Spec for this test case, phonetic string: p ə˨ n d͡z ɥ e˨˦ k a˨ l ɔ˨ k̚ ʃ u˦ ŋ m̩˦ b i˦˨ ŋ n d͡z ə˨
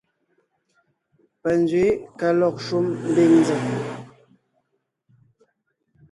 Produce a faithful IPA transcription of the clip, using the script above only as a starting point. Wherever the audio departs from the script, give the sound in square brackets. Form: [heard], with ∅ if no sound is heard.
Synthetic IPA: p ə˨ n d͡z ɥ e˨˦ k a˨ l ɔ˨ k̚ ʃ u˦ [m] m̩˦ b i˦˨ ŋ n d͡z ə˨